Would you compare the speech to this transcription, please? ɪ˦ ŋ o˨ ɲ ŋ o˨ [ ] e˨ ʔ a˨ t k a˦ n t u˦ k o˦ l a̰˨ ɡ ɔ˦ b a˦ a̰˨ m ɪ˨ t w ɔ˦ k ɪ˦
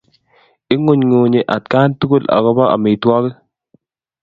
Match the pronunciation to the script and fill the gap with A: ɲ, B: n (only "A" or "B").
A